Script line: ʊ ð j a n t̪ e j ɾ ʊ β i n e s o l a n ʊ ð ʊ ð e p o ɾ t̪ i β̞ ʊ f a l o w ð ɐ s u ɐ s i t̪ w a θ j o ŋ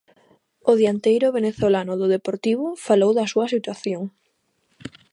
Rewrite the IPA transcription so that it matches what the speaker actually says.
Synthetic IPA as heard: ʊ ð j a n t̪ e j ɾ ʊ β e n e θ o l a n ʊ ð ʊ ð e p o ɾ t̪ i β̞ ʊ f a l o w ð ɐ s u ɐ s i t̪ w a θ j o ŋ